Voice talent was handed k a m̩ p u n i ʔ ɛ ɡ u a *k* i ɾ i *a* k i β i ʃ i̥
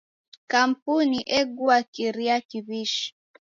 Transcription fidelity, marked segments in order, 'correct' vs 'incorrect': correct, correct

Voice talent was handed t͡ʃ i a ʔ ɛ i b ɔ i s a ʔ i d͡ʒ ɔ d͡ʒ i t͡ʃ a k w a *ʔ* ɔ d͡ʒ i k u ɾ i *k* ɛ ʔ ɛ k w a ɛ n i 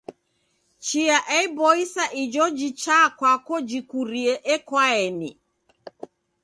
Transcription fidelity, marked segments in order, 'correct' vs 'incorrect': incorrect, incorrect

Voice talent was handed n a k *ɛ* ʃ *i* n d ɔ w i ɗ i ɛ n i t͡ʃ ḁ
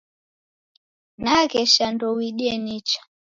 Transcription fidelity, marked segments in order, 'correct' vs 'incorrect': correct, incorrect

